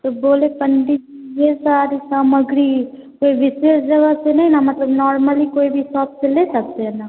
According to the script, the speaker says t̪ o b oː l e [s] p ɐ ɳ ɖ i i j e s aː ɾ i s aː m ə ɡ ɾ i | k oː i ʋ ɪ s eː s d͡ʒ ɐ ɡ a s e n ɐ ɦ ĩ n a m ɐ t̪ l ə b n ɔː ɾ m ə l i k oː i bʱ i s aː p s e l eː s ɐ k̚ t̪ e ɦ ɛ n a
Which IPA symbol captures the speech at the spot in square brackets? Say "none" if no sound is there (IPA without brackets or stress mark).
none